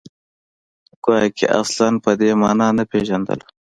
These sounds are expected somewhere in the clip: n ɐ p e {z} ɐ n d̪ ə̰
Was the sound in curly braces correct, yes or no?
no